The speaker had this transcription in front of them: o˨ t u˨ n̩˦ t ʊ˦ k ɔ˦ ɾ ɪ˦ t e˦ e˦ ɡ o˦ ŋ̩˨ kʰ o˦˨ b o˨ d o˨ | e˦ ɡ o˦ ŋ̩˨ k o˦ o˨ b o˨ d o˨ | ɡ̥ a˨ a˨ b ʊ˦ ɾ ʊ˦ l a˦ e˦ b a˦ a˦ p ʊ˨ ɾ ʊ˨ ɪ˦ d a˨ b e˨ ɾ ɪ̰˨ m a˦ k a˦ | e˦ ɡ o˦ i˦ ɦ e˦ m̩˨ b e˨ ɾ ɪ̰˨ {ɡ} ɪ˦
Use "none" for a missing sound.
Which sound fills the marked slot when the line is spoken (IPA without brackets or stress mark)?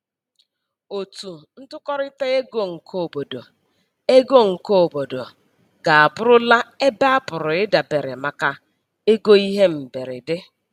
d